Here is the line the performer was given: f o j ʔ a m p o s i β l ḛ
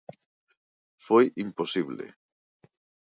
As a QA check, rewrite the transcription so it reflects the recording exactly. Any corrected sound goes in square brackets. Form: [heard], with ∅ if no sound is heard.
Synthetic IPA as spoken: f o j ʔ [i] m p o s i β l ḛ